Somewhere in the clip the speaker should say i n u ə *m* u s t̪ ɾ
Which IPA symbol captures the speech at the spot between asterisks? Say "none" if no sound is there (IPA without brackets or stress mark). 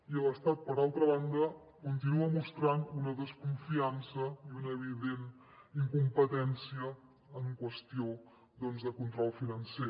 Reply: m